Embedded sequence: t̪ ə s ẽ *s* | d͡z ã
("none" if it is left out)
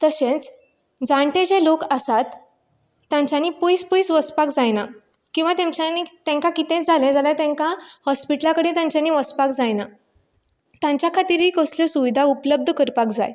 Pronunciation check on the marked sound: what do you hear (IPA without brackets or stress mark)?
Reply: t͡s